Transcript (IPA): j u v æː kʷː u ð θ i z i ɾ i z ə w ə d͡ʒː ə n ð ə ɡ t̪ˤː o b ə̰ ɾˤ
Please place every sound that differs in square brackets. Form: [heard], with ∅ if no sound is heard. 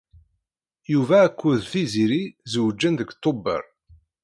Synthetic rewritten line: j u v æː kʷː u ð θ i z i ɾ i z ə w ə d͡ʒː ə n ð ə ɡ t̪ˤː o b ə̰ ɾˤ